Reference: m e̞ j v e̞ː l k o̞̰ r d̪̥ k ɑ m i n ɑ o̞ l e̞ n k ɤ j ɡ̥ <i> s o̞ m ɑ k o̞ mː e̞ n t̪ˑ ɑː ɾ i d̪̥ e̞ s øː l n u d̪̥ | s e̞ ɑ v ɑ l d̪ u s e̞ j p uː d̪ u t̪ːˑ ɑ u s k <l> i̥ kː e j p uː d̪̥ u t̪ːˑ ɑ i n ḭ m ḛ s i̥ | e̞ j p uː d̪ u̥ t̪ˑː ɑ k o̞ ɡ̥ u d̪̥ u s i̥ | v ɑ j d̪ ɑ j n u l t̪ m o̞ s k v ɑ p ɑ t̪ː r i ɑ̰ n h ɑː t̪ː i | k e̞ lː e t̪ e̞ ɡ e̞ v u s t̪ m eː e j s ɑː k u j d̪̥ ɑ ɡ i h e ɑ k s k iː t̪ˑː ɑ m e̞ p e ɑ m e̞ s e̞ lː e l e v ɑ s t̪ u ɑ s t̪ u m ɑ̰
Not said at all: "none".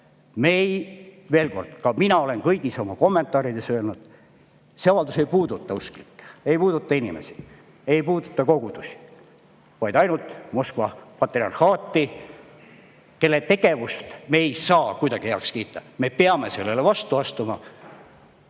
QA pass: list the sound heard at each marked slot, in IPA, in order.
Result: i, l

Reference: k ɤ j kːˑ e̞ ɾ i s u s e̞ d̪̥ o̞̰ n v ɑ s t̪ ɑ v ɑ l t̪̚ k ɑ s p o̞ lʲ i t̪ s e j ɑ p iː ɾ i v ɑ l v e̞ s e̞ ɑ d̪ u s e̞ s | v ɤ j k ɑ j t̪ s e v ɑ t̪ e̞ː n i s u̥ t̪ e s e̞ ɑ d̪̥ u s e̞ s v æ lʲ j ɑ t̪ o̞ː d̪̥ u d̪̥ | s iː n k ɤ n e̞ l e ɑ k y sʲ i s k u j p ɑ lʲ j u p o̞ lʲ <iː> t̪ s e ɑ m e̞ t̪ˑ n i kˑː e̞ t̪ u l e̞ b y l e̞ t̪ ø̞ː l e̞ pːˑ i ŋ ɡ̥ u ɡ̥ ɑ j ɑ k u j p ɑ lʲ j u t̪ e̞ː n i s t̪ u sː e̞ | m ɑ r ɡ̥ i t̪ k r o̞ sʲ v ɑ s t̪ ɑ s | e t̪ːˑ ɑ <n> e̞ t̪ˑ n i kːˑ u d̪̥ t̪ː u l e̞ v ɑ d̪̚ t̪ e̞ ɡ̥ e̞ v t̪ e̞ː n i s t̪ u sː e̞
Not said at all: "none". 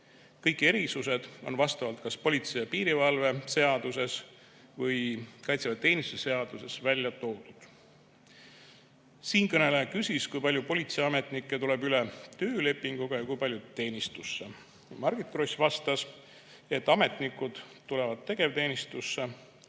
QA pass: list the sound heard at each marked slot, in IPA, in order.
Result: i, m

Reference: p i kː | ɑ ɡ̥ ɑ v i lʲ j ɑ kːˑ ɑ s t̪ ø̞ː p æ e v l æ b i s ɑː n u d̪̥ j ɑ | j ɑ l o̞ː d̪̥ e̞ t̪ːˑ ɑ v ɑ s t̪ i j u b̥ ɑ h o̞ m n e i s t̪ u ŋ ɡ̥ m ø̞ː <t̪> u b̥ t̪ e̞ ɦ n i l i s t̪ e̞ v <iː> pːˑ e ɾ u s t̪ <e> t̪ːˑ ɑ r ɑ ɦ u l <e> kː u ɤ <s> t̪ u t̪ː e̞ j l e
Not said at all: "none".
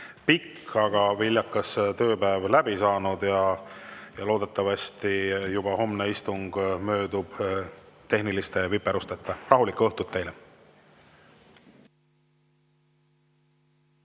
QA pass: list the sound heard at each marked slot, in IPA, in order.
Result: d̪, i, e, i, h

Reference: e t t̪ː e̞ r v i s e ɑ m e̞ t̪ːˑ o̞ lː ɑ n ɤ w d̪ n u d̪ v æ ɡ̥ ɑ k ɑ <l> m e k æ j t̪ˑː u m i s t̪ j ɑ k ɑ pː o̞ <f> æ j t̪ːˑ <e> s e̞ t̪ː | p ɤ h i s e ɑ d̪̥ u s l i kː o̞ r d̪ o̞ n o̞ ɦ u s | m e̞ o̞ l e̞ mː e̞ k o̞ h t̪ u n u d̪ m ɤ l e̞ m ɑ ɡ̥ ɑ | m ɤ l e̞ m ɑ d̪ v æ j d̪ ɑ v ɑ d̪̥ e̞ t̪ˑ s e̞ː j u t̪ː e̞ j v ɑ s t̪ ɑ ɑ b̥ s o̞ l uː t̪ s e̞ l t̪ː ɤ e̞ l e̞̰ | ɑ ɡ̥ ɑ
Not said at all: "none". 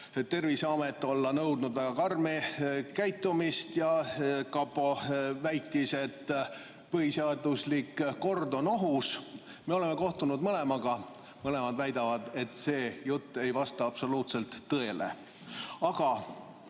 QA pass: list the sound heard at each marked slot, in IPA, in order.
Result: r, v, i

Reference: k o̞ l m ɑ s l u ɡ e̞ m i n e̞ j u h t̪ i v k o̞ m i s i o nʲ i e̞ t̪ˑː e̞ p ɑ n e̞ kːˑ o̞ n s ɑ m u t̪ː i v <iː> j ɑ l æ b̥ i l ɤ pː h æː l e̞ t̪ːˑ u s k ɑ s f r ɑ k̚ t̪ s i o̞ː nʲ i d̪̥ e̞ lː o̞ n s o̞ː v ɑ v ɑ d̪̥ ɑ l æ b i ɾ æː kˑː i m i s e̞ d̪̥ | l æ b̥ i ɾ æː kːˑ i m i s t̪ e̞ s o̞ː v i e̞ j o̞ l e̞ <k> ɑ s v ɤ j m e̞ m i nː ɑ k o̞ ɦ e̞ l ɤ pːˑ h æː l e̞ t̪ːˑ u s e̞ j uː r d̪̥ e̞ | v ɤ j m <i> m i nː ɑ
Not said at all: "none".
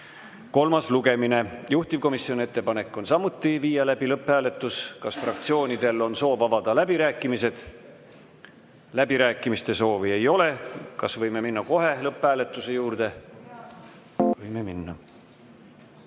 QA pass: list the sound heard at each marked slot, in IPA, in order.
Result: iː, k, e

